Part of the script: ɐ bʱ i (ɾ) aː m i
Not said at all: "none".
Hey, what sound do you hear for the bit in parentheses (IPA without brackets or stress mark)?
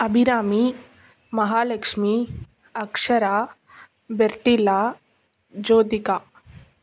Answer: ɾ